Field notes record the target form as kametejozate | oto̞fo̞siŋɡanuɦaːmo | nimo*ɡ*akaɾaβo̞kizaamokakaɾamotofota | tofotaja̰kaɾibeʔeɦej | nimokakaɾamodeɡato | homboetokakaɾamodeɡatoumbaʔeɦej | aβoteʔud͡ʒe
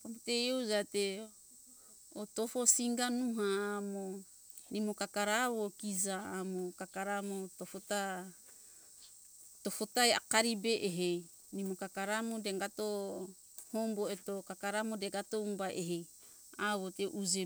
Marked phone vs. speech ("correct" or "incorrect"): incorrect